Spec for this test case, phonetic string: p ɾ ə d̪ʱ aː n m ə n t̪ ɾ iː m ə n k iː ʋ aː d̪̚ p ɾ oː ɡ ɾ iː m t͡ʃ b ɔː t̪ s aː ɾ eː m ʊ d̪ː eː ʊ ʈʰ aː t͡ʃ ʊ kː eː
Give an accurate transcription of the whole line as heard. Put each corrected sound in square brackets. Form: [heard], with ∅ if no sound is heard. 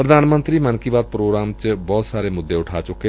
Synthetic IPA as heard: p ɾ ə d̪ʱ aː n m ə n t̪ ɾ iː m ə n k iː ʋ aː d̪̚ p ɾ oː ɡ ɾ [aː] m t͡ʃ b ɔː t̪ s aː ɾ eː m ʊ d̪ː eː ʊ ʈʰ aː t͡ʃ ʊ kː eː